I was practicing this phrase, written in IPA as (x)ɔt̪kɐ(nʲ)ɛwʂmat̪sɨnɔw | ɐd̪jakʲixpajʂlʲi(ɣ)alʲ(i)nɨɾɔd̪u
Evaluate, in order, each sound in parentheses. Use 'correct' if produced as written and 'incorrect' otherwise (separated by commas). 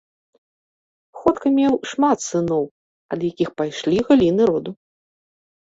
correct, incorrect, correct, correct